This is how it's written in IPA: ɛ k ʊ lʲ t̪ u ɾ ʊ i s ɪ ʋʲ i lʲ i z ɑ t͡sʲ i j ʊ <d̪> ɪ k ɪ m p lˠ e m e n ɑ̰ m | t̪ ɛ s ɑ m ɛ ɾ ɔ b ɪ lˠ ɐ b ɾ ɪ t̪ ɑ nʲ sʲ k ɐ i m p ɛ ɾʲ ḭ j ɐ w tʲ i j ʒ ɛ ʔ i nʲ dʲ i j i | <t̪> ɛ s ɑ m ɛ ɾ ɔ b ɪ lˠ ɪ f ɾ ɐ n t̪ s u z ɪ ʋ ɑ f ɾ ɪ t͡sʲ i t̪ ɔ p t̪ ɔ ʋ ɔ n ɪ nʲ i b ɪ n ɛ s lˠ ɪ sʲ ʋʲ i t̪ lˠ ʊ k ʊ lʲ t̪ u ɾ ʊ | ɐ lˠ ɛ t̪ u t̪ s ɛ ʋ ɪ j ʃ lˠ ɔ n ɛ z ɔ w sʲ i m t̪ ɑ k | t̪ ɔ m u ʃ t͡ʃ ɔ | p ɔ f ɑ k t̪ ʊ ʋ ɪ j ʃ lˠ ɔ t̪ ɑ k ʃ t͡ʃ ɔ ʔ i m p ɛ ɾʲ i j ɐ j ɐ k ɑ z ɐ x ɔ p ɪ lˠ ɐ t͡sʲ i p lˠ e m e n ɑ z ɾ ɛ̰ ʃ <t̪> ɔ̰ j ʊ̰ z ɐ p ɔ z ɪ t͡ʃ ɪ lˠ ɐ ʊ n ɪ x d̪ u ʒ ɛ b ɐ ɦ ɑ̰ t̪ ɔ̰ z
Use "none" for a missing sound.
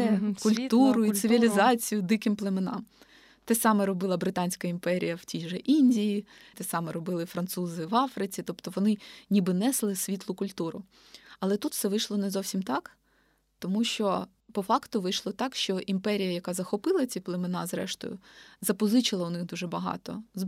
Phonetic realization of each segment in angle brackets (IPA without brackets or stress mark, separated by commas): d̪, t̪, t̪